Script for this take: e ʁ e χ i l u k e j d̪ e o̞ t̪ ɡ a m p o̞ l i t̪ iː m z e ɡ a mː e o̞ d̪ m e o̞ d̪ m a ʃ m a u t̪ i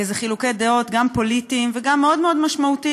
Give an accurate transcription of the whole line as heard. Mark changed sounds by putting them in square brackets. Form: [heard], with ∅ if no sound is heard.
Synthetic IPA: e [z] e χ i l u k e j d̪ e o̞ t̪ ɡ a m p o̞ l i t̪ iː m [v] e ɡ a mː e o̞ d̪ m e o̞ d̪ m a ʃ m a u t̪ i